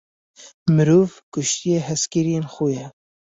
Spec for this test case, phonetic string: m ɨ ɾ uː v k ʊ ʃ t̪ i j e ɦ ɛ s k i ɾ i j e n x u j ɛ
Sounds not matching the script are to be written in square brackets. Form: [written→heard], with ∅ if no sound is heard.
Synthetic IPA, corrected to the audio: m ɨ ɾ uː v k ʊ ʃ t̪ i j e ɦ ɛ s k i ɾ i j e n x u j ɛ